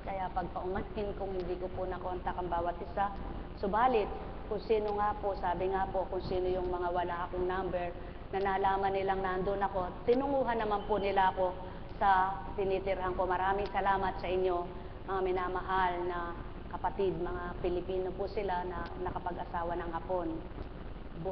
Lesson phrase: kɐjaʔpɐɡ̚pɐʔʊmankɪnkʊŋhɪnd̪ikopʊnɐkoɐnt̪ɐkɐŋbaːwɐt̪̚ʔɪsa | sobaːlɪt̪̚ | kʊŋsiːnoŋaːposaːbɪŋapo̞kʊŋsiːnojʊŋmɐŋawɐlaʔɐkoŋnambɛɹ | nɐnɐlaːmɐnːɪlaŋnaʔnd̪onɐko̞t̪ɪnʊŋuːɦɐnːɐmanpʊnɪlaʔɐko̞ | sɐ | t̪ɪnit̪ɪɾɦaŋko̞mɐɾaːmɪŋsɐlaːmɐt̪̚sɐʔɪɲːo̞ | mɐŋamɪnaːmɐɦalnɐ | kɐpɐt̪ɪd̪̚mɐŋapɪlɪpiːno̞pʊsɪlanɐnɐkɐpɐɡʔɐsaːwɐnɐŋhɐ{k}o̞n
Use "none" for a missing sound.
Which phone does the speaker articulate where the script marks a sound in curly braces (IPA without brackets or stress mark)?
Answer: p